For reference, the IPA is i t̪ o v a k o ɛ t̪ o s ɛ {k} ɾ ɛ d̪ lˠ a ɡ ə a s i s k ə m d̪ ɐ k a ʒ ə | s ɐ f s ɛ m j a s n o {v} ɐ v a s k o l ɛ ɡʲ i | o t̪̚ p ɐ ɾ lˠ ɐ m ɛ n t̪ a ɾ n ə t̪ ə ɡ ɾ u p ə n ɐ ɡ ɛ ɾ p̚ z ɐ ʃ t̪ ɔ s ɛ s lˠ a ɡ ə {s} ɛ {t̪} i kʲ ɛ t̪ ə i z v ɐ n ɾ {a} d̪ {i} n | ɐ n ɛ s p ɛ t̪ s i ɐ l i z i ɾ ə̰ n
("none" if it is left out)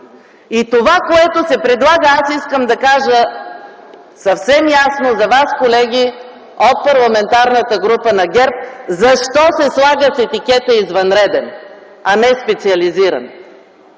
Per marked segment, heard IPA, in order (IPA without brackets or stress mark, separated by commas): p, z, s, t̪, ɛ, ɛ